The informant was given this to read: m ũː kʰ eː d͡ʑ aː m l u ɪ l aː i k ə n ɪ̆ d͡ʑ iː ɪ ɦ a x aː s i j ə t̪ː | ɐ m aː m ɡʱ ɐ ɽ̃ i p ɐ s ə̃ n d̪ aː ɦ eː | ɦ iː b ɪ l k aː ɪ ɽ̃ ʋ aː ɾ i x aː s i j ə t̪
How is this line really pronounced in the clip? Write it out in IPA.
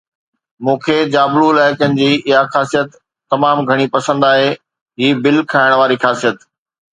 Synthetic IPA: m ũː kʰ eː d͡ʑ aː b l u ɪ l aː ɪ k ə n ɪ̆ d͡ʑ iː ɪ ɦ a x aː s i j ə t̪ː | ɐ m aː m ɡʱ ɐ ɽ̃ i p ɐ s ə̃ n d̪ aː ɦ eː | ɦ iː b ɪ l kʰ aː ɪ ɽ̃ ʋ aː ɾ i x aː s i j ə t̪